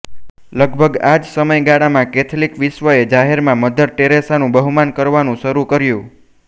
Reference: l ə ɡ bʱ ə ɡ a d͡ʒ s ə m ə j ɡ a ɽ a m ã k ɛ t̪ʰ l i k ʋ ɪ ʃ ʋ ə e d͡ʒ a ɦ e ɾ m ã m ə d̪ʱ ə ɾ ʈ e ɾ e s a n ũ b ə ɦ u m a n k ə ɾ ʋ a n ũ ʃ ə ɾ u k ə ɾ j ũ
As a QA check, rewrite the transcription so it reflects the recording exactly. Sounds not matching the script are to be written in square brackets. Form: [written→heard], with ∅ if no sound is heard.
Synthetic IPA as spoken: l ə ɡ bʱ ə ɡ a d͡ʒ s ə m ə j ɡ a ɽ a m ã k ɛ t̪ʰ l i k ʋ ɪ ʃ ʋ ə e d͡ʒ a ɦ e ɾ m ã m ə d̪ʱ ə ɾ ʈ e ɾ e s a n ũ b ə ɦ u m a n k ə ɾ ʋ a n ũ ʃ ə ɾ u k ə ɾ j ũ

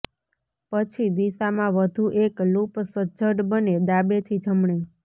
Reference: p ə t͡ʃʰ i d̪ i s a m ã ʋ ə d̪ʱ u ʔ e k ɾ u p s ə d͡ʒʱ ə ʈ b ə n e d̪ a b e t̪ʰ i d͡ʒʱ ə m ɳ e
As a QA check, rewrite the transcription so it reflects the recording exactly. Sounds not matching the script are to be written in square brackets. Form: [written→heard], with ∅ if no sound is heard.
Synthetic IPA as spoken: p ə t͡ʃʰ i d̪ i s a m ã ʋ ə d̪ʱ u ʔ e k [ɾ→l] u p s ə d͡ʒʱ ə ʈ b ə n e d̪ a b e t̪ʰ i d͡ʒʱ ə m ɳ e

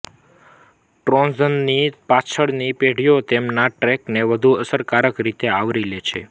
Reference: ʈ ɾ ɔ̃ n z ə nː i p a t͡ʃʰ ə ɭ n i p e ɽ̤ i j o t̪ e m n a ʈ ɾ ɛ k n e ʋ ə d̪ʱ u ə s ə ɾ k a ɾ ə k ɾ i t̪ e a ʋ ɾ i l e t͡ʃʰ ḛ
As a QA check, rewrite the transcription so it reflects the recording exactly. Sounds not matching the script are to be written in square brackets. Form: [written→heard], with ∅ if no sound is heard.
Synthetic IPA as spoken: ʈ ɾ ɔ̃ n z ə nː i p a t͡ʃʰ ə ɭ n i p e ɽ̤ i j o t̪ e m n a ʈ ɾ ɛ k n e ʋ ə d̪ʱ u ə s ə ɾ k a ɾ ə k ɾ i t̪ e a ʋ ɾ i l e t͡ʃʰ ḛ

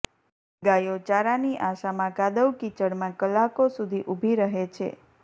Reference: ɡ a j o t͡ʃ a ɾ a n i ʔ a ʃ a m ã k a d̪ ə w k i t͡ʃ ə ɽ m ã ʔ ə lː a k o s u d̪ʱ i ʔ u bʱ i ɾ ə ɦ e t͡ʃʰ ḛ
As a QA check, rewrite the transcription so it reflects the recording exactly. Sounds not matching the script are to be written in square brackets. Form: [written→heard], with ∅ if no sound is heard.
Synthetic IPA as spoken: ɡ a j o t͡ʃ a ɾ a n i ʔ a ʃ a m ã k a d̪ ə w k i t͡ʃ ə ɽ m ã [ʔ→k] ə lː a k o s u d̪ʱ i ʔ u bʱ i ɾ ə ɦ e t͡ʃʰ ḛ

